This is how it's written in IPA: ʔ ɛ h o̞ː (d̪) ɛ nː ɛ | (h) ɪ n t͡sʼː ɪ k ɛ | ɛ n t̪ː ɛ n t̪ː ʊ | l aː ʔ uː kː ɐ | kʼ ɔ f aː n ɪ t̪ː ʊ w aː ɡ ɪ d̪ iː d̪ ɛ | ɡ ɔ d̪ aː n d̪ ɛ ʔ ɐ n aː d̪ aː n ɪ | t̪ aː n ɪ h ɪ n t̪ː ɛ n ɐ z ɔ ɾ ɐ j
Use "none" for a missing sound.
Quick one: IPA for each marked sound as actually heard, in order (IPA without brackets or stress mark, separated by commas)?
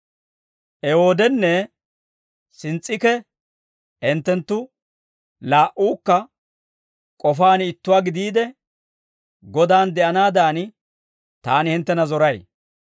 d̪, s